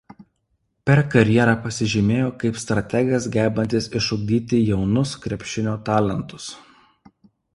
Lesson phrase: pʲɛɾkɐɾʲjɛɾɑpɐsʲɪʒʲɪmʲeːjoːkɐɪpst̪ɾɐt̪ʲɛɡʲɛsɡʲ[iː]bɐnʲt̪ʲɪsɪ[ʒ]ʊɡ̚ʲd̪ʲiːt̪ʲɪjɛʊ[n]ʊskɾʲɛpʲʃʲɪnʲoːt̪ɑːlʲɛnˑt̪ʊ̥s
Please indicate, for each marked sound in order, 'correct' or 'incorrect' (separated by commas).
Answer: incorrect, incorrect, correct